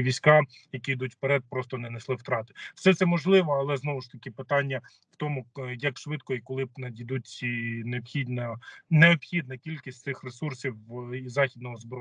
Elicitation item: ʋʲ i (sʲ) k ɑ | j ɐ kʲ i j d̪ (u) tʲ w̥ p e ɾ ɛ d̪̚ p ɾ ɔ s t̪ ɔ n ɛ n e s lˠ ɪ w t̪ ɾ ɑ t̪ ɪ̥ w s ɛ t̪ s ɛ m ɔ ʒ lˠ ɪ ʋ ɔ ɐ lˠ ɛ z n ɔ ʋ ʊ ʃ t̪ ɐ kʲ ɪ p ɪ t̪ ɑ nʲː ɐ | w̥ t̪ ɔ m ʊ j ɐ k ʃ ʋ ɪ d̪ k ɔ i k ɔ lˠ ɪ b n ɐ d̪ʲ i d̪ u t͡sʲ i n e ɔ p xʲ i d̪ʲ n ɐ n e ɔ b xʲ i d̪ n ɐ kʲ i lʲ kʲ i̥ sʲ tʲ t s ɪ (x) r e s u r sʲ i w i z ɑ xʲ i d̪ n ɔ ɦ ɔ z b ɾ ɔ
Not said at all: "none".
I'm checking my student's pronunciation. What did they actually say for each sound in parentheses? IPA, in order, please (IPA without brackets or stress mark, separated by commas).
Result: sʲ, u, x